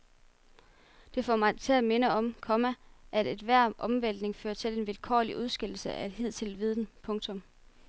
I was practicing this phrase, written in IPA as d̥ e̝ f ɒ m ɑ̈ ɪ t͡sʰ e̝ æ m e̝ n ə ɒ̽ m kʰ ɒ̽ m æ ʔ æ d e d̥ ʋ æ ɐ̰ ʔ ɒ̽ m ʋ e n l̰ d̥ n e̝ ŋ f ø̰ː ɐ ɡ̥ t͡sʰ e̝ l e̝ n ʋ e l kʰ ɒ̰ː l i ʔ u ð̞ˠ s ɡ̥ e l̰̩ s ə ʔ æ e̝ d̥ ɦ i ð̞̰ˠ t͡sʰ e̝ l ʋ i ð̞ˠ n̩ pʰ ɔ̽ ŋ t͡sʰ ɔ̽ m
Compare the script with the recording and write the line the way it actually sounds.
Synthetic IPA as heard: d̥ e̝ f ɒ m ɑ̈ ɪ t͡sʰ e̝ æ m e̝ n ə ɒ̽ m kʰ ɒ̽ m æ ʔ æ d e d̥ ʋ æ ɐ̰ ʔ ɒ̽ m ʋ e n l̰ d̥ n e̝ ŋ f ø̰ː ɐ t͡sʰ e̝ l e̝ n ʋ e l kʰ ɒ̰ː l i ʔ u ð̞ˠ s ɡ̥ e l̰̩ s ə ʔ æ e̝ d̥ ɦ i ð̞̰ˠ t͡sʰ e̝ l ʋ i ð̞ˠ n̩ pʰ ɔ̽ ŋ t͡sʰ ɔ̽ m

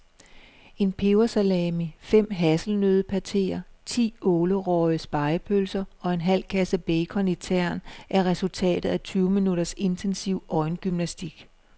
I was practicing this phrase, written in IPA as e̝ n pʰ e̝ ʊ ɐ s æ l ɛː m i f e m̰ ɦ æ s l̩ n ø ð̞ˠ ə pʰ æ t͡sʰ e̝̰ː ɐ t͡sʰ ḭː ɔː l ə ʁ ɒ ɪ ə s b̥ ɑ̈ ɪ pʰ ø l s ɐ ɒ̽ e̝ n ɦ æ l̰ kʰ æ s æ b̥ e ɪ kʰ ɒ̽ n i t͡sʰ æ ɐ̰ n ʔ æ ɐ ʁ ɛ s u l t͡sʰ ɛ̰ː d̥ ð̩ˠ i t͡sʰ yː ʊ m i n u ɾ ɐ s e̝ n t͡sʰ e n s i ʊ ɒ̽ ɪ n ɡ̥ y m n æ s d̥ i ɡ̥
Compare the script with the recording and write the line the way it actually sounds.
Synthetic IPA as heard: e̝ n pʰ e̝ ʊ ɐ s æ l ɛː m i f e m̰ ɦ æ s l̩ n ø ð̞ˠ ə pʰ æ t͡sʰ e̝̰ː ɐ t͡sʰ ḭː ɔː l ə ʁ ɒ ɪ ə s b̥ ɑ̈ ɪ pʰ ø l s ɐ ɒ̽ e̝ n ɦ æ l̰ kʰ æ s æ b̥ e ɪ kʰ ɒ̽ n i t͡sʰ æ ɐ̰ n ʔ æ ɐ ʁ ɛ s u l t͡sʰ ɛ̰ː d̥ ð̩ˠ æ t͡sʰ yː ʊ m i n u ɾ ɐ s e̝ n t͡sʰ e n s i ʊ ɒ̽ ɪ n ɡ̥ y m n æ s d̥ i ɡ̥

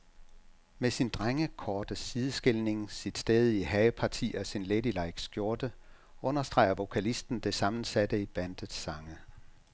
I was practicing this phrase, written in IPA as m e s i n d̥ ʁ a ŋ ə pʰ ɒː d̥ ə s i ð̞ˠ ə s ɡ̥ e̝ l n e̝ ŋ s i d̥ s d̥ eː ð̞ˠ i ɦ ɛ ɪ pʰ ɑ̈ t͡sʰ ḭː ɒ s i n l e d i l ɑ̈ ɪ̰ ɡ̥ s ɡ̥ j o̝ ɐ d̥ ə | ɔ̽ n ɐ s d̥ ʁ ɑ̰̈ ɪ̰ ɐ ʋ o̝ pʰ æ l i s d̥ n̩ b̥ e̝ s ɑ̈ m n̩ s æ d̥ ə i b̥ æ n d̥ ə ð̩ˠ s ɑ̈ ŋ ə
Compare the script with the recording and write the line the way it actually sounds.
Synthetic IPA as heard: m e s i n d̥ ʁ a ŋ ə kʰ ɒː d̥ ə s i ð̞ˠ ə s ɡ̥ e̝ l n e̝ ŋ s i d̥ s d̥ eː ð̞ˠ i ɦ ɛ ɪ pʰ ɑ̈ t͡sʰ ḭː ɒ s i n l e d i l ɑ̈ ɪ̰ ɡ̥ s ɡ̥ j o̝ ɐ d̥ ə | ɔ̽ n ɐ s d̥ ʁ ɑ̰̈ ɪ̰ ɐ ʋ o̝ kʰ æ l i s d̥ n̩ d̥ e̝ s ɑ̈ m n̩ s æ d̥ ə i b̥ æ n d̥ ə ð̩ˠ s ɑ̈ ŋ ə

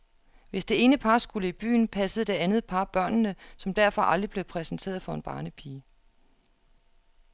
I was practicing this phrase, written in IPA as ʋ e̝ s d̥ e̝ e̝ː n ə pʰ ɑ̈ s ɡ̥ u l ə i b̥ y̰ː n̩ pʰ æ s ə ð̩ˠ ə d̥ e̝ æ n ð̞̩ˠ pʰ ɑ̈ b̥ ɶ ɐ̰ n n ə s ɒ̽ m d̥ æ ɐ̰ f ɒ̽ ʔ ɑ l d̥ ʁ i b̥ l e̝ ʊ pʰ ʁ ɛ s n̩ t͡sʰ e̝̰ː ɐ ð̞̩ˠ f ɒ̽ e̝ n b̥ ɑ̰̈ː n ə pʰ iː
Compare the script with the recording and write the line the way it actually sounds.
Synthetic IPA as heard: ʋ e̝ s d̥ e̝ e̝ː n ə pʰ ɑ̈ s ɡ̥ u l ə i b̥ y̰ː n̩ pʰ æ s ə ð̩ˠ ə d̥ e̝ æ n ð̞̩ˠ pʰ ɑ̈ b̥ ɶ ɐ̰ n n ə s ɒ̽ m d̥ æ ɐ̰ f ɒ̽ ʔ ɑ l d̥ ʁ i b̥ l e̝ ʊ pʰ ʁ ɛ s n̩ t͡sʰ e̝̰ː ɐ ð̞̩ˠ f ɒ̽ e̝ n b̥ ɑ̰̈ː n ə pʰ iː

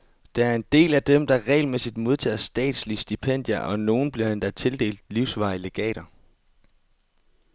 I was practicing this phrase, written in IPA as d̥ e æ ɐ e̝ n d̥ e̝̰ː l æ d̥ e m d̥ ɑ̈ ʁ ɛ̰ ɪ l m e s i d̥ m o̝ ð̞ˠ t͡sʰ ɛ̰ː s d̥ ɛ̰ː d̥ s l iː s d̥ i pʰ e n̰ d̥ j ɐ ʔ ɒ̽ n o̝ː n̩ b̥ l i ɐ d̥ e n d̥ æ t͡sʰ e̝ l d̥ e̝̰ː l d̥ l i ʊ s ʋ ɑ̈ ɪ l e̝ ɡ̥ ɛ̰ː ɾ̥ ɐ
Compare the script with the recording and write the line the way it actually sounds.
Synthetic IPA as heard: d̥ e æ ɐ e̝ n d̥ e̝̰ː l æ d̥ e m d̥ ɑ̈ ʁ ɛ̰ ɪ l m e s i d̥ m o̝ ð̞ˠ t͡sʰ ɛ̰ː s d̥ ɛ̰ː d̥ s l i s d̥ i pʰ e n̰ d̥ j ɐ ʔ ɒ̽ n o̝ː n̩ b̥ l i ɐ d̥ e n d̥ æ t͡sʰ e̝ l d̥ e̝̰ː l d̥ l i ʊ s ʋ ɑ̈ ɪ l e̝ ɡ̥ ɛ̰ː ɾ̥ ɐ

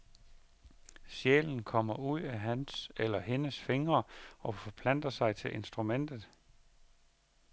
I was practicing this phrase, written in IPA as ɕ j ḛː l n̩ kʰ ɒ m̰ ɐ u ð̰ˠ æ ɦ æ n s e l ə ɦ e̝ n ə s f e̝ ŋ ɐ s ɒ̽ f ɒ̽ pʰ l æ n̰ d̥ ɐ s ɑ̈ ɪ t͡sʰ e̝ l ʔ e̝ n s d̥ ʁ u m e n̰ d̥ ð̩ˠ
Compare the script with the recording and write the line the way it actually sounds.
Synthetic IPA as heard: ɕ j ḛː l n̩ kʰ ɒ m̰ ɐ u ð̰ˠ æ ɦ æ n s e l ɐ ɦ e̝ n ə s f e̝ ŋ ɐ ɒ̽ f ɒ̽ pʰ l æ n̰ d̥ ɐ s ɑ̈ ɪ t͡sʰ e̝ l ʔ e̝ n s d̥ ʁ u m e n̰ d̥ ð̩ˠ

